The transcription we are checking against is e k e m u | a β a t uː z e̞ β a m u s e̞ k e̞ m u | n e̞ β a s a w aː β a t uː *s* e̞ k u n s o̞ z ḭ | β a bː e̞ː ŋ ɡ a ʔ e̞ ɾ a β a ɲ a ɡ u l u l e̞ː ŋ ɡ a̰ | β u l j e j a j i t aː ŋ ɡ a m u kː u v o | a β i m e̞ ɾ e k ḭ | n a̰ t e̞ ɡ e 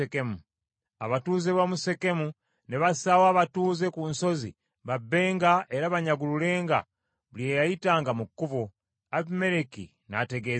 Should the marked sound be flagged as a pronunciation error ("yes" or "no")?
yes